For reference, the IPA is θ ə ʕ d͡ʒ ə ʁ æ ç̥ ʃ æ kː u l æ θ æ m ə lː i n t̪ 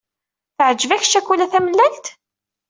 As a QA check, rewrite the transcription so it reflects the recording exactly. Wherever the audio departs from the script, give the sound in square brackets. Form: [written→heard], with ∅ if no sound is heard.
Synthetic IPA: θ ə ʕ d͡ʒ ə [ʁ→v] æ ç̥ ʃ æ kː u l æ θ æ m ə lː [i→æ] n t̪